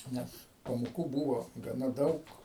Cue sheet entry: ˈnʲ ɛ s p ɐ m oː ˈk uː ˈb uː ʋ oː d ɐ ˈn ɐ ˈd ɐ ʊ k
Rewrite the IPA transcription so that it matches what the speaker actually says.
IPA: ˈnʲ ɛ s p ɐ m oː ˈk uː ˈb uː ʋ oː ɡ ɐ ˈn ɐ ˈd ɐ ʊ k